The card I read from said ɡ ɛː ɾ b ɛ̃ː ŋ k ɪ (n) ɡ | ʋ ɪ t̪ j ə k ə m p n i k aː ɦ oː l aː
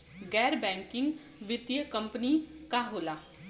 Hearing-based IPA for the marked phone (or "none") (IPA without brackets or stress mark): ŋ